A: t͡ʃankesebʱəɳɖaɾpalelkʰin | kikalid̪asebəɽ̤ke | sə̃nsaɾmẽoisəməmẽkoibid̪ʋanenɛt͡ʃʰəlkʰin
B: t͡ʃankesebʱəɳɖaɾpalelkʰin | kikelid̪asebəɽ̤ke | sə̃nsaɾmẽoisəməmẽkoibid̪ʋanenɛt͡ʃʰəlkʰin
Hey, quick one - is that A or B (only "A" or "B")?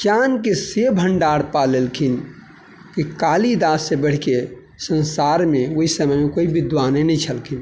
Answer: A